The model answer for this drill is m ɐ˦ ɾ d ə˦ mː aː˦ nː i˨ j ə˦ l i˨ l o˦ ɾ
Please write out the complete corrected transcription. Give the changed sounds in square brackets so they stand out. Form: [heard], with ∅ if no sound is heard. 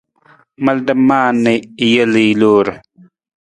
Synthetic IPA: m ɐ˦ [l] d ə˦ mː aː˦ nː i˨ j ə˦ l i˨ l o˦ ɾ

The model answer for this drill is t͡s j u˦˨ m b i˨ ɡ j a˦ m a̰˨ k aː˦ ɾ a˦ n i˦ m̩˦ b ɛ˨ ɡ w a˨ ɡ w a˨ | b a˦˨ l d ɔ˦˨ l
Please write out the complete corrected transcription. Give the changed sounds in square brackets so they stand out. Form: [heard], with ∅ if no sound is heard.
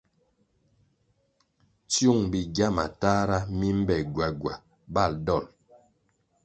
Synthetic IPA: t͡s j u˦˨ [ŋ] b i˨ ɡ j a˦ m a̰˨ [t] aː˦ ɾ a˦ [m] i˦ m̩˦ b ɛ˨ ɡ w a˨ ɡ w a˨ | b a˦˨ l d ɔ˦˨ l

